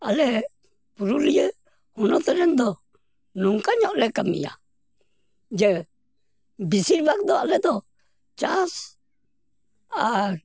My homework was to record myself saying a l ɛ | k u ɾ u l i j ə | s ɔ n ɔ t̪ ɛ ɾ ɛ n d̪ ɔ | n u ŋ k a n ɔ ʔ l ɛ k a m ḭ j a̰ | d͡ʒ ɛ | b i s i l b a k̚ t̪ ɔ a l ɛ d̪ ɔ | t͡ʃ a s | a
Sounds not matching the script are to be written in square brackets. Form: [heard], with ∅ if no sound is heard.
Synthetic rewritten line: a l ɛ | [p] u ɾ u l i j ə | [h] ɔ n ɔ t̪ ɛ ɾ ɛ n d̪ ɔ | n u ŋ k a [ɲ] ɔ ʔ l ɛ k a m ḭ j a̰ | d͡ʒ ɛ | b i s i [ɾ] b a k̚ [d̪] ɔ a l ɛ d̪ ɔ | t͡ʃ a s | a